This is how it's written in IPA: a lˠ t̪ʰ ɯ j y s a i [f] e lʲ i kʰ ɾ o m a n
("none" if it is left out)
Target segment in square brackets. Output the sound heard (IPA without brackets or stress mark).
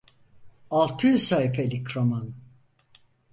f